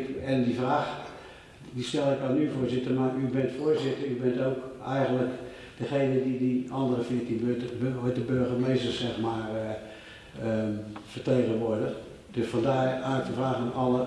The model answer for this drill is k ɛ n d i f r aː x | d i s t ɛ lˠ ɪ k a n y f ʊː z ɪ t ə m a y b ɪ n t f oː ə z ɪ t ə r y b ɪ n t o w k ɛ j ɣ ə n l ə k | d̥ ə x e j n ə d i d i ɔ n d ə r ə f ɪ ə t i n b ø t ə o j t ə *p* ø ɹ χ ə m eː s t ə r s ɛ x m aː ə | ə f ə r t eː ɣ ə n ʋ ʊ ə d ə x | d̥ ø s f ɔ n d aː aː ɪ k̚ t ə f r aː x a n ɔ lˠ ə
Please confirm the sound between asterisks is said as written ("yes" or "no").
no